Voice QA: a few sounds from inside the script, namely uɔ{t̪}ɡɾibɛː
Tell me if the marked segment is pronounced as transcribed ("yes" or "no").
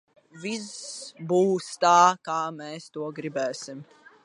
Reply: no